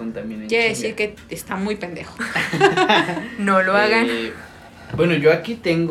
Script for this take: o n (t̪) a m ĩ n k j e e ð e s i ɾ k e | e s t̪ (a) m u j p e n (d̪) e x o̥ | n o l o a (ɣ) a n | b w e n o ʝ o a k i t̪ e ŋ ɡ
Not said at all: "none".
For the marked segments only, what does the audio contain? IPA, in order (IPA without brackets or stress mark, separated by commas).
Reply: t̪, a, d̪, ɣ